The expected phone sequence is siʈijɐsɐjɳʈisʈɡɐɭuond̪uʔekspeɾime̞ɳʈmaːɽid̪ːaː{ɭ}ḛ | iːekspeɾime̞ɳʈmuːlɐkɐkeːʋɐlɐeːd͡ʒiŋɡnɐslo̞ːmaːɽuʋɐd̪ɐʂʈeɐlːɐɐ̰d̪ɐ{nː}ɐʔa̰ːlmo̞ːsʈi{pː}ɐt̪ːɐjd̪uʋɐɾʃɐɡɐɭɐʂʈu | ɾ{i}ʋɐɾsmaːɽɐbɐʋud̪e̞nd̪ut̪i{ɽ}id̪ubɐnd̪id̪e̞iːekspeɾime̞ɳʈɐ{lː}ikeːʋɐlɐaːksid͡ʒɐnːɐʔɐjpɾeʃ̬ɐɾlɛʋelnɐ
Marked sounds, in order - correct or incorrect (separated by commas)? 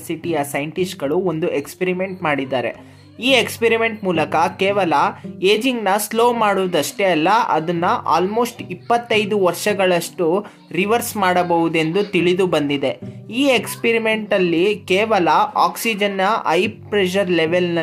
incorrect, correct, correct, correct, incorrect, correct